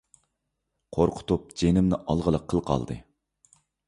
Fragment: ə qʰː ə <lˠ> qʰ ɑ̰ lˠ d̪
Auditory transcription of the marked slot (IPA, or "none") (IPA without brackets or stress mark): lˠ